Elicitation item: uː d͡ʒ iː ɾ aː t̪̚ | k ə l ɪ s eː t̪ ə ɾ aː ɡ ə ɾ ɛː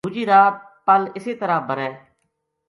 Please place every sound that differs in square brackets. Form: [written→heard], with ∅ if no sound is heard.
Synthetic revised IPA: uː d͡ʒ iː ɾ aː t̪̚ | [k→p] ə l ɪ s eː t̪ ə ɾ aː [ɡ→b] ə ɾ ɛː